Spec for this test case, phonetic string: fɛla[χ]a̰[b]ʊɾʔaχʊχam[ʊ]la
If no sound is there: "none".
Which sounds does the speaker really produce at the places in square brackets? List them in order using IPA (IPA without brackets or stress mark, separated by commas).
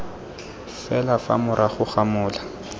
f, m, ʊː